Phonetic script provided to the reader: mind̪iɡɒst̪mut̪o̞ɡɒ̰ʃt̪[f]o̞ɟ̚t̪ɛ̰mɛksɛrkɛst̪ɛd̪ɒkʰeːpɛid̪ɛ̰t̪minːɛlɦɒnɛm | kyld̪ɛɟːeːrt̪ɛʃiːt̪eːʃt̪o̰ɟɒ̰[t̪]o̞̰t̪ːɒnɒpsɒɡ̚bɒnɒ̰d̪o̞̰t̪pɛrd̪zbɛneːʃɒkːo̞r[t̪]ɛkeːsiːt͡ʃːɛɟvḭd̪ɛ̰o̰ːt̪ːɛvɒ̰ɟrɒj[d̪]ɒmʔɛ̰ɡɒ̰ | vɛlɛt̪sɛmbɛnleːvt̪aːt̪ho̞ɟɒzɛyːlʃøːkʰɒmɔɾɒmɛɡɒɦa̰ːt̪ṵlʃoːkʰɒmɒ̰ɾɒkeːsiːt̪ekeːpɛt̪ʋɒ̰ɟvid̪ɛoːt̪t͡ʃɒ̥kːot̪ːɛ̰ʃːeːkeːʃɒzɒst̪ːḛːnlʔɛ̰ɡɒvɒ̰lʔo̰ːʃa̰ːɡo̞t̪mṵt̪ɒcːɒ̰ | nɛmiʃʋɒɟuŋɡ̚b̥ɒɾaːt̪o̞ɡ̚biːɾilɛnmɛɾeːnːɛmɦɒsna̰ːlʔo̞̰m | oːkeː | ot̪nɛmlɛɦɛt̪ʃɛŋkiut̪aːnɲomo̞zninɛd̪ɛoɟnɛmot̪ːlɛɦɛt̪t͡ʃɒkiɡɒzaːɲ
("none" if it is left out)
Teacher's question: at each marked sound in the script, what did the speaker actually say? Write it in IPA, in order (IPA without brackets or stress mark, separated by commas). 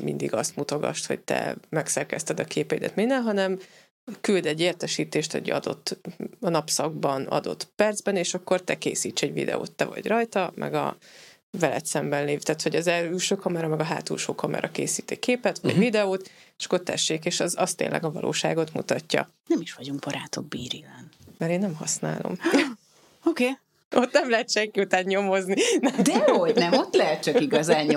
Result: h, d̪, t̪, t̪